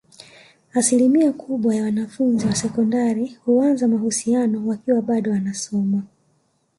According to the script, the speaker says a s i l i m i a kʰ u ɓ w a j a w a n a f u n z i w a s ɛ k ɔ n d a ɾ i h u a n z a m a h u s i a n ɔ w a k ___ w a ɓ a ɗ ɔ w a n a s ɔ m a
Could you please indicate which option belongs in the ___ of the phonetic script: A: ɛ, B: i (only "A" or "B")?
B